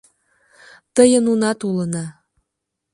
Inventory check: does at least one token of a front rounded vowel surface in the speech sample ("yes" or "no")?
no